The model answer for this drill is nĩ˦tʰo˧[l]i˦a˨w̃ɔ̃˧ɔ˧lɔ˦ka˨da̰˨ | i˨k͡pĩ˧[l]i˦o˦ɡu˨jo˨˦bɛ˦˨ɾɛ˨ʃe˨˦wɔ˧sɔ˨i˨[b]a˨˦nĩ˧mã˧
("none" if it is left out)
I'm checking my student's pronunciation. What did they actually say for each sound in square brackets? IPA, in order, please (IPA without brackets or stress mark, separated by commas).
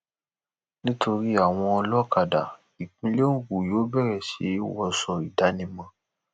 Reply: ɾ, l, d